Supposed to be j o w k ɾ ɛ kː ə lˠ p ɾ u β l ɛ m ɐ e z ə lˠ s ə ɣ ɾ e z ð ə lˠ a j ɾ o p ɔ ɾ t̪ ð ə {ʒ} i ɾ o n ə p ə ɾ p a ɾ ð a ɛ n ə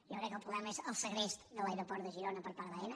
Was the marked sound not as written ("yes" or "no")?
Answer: no